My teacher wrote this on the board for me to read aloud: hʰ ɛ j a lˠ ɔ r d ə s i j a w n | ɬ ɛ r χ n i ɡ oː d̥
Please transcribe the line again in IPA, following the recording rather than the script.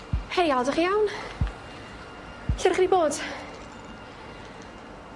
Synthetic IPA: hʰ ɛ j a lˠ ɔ d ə χ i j a w n | ɬ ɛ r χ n i b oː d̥